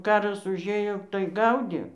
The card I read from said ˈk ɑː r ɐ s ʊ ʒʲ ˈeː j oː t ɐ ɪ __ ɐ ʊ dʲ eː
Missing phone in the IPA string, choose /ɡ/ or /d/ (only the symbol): ɡ